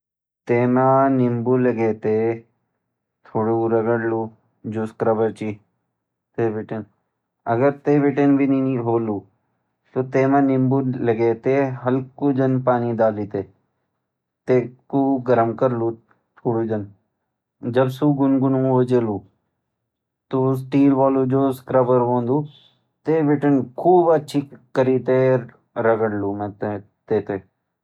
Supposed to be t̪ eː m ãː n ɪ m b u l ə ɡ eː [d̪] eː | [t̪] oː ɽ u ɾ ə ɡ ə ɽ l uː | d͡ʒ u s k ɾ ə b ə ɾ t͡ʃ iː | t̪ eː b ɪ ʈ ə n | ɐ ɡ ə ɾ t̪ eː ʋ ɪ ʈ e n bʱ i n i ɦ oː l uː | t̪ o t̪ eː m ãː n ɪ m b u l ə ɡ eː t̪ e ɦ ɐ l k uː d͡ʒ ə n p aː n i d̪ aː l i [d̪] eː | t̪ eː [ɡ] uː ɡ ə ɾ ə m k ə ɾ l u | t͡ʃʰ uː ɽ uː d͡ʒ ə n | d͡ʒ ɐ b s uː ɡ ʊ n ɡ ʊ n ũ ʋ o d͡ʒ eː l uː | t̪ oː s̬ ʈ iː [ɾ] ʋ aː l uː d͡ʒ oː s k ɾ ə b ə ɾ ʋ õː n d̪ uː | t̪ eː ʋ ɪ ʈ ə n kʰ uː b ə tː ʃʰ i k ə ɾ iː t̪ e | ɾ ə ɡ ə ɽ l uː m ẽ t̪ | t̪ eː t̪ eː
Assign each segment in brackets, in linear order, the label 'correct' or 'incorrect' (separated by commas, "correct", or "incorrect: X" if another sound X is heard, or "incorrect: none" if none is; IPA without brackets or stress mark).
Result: incorrect: t̪, incorrect: t̪ʰ, incorrect: t̪, incorrect: k, incorrect: l